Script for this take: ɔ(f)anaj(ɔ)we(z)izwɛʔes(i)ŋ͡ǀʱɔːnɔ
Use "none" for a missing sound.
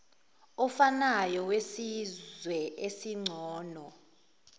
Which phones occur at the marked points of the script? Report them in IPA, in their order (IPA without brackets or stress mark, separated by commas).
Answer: f, ɔ, s, i